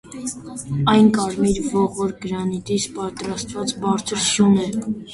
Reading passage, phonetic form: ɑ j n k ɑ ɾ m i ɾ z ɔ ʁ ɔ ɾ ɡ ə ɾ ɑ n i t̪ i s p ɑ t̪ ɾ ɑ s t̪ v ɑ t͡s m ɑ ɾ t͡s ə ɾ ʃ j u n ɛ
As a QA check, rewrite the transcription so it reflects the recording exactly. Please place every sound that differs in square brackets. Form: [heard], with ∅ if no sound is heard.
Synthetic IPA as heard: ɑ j n k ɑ ɾ m i ɾ [v] ɔ ʁ ɔ ɾ ɡ ə ɾ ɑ n i t̪ i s p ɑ t̪ ɾ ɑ s t̪ v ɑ t͡s [b] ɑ ɾ [t͡sʰ] ə ɾ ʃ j u n ɛ